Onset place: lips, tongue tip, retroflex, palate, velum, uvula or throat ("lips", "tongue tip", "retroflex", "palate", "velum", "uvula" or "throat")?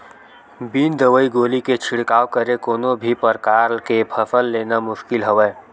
lips